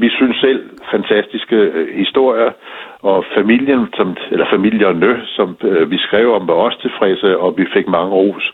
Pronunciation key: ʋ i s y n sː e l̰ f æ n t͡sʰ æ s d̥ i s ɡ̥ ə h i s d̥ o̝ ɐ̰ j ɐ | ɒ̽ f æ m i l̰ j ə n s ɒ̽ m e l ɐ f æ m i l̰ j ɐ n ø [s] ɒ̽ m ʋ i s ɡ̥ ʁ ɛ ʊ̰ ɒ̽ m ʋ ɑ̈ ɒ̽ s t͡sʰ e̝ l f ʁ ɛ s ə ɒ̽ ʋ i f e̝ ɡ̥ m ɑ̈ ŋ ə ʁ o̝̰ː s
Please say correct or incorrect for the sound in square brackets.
correct